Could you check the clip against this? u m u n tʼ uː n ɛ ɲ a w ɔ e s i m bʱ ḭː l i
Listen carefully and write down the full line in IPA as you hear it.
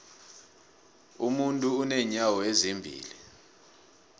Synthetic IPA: u m u n tʼ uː n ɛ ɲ a w ɔ e z i m bʱ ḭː l i